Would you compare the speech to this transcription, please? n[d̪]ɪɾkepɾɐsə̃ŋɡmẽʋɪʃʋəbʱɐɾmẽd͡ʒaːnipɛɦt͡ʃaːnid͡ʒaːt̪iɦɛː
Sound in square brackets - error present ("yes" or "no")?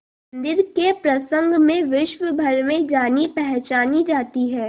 no